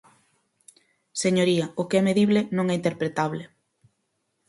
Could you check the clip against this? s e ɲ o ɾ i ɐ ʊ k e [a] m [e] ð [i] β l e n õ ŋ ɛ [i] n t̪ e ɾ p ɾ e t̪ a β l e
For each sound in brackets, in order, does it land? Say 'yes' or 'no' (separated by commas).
no, yes, yes, yes